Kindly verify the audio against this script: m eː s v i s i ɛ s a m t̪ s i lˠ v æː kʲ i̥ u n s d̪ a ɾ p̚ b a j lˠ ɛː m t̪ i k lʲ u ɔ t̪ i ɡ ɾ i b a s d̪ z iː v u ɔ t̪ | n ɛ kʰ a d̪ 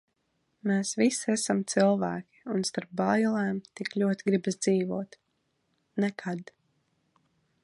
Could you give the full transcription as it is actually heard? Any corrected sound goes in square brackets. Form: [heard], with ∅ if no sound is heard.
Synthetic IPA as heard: m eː s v i s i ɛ s a m t̪ s i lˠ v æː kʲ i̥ u n s [t̪] a ɾ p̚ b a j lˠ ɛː m t̪ i k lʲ u ɔ t̪ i ɡ ɾ i b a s d̪ z iː v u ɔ t̪ | n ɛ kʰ a d̪

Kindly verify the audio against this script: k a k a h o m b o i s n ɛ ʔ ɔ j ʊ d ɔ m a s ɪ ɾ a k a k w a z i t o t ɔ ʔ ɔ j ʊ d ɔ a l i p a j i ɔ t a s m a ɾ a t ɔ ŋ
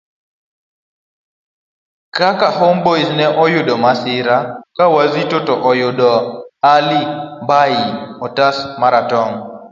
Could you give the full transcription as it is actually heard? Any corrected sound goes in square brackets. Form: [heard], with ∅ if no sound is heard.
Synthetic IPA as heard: k a k a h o m b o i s n ɛ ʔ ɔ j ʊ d ɔ m a s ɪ ɾ a k a [∅] w a z i t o t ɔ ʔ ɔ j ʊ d ɔ a l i [b] a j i ɔ t a s m a ɾ a t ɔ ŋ

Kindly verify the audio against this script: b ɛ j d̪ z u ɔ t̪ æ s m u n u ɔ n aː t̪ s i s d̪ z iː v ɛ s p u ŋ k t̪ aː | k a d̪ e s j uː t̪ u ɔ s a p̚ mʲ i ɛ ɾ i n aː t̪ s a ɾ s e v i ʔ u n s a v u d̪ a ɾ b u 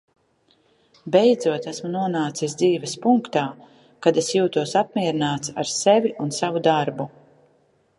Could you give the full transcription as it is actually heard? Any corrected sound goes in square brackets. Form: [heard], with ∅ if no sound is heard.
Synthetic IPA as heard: b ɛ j d̪ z u ɔ t̪ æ s m u n u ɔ n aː t̪ s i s d̪ z iː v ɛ s p u ŋ k t̪ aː | k a d̪ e s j uː t̪ u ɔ s a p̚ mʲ i ɛ ɾ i n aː t̪ s a ɾ s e v i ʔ u n s a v u d̪ a ɾ b u

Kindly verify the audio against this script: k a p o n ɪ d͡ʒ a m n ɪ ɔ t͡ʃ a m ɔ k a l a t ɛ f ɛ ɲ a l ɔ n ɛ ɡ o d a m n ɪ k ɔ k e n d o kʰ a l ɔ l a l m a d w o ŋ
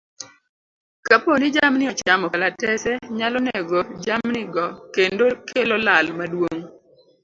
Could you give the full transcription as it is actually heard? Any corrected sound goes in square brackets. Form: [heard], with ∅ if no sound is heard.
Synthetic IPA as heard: k a p o n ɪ d͡ʒ a m n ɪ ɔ t͡ʃ a m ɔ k a l a t ɛ [s] ɛ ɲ a l ɔ n ɛ ɡ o [d͡ʒ] a m n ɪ [ɡ] ɔ k e n d o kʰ [e] l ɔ l a l m a d w o ŋ

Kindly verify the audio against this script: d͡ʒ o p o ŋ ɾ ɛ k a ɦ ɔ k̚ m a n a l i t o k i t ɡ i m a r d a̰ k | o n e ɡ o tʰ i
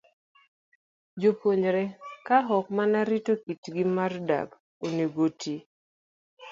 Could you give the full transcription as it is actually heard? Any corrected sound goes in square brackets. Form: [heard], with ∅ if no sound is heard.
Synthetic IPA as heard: d͡ʒ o p o [ɲ] ɾ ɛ k a ɦ ɔ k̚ m a n a [ɾ] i t o k i t ɡ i m a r d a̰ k | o n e ɡ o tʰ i

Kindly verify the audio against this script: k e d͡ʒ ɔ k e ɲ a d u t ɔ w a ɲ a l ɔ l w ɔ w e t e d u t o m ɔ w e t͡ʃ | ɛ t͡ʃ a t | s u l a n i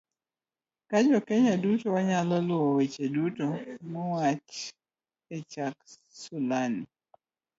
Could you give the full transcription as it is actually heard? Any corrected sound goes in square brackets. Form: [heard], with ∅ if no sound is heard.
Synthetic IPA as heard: k [a] d͡ʒ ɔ k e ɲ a d u t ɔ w a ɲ a l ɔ l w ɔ w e [t͡ʃ] e d u t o m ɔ w [a] t͡ʃ | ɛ t͡ʃ a [k] | s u l a n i

